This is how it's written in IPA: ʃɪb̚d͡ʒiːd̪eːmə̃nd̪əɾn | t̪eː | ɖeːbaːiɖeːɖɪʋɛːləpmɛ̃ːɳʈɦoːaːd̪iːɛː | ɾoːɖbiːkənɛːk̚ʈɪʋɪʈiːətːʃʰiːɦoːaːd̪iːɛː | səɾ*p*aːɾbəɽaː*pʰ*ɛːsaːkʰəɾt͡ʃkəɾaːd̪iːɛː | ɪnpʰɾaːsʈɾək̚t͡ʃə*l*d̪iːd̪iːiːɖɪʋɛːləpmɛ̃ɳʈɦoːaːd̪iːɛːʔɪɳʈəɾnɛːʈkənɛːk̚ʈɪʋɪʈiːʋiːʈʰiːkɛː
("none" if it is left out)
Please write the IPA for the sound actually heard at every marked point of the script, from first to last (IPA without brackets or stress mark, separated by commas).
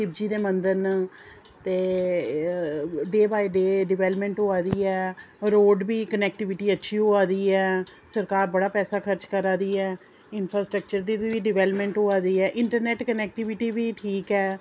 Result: k, p, ɾ